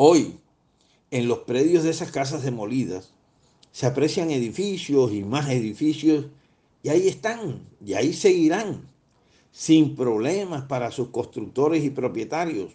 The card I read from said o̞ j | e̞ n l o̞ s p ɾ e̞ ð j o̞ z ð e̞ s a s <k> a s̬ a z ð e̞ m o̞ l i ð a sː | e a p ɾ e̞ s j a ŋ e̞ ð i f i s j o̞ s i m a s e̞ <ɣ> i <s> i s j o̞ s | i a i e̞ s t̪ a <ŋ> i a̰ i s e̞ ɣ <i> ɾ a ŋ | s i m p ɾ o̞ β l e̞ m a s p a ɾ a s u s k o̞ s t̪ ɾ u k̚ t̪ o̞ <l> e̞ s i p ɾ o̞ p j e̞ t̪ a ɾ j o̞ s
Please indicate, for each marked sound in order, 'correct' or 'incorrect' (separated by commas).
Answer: correct, incorrect, incorrect, correct, correct, incorrect